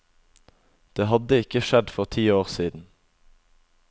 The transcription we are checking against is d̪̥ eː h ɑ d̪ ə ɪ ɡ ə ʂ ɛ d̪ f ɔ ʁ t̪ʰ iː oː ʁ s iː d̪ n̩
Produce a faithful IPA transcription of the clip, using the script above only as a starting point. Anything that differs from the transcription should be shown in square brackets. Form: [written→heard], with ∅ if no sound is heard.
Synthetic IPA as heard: d̪̥ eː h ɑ d̪ ə ɪ [ɡ→k] ə [ʂ→ʃ] ɛ d̪ f ɔ ʁ t̪ʰ iː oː ʁ s iː d̪ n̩